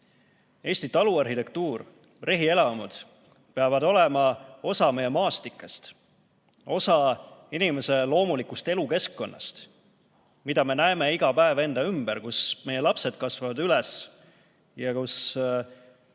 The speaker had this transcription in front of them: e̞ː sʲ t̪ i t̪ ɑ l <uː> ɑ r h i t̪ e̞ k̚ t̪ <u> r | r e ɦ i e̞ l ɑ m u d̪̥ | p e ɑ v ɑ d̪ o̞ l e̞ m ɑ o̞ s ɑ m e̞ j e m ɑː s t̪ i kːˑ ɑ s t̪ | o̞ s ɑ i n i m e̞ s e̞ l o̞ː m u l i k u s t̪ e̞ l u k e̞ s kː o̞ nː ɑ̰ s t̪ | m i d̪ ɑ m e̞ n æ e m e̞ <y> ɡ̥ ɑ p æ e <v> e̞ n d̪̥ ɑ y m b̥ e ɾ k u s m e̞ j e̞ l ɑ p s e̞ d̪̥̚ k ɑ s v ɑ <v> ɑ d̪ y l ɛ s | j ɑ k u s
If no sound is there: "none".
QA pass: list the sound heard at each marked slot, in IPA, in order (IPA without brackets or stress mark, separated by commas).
u, uː, i, v, v